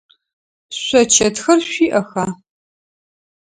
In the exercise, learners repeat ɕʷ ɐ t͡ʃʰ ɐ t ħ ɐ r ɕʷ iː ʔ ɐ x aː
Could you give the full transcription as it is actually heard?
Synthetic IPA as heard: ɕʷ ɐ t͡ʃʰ ɐ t x ɐ r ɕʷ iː ʔ ɐ x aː